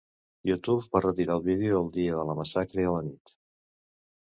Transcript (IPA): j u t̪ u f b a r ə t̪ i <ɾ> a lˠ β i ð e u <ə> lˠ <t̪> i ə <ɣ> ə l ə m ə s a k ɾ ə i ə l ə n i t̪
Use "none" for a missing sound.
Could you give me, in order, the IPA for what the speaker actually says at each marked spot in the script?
ɾ, ə, d̪, ð

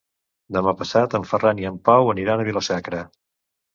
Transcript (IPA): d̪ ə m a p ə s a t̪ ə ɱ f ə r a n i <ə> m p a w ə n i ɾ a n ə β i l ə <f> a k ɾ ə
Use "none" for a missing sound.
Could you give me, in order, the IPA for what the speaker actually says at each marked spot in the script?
ə, s

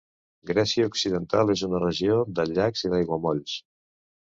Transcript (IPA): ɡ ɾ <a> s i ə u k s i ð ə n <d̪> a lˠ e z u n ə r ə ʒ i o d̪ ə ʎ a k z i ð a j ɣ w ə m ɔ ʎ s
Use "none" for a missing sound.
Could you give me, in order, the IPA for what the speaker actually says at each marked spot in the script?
ɛ, t̪

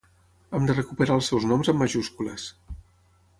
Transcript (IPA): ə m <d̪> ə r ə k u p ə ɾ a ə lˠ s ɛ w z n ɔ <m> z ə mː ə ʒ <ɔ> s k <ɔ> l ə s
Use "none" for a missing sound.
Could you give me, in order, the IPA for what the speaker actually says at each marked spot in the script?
d̪, m, u, u

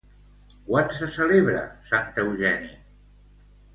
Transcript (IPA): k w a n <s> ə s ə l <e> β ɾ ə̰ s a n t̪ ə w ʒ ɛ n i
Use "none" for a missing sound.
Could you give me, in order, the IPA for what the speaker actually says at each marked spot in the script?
s, e

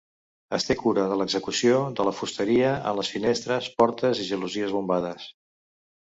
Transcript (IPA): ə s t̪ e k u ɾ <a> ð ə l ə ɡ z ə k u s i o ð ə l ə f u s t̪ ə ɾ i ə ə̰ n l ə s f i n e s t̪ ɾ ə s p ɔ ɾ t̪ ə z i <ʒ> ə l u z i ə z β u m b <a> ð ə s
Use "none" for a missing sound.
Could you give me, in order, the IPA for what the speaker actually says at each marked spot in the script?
ə, ʒ, a

